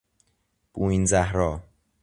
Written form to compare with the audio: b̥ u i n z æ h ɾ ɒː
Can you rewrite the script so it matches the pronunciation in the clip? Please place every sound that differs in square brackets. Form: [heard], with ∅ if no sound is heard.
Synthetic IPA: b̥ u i n z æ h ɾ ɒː